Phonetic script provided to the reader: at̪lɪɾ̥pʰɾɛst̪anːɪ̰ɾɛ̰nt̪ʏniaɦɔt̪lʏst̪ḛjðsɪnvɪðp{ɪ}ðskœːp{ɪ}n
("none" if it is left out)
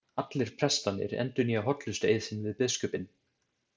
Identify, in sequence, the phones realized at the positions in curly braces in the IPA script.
ɪ, ɪ

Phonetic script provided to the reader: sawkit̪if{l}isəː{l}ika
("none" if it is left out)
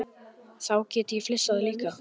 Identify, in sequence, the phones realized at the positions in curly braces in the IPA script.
l, l

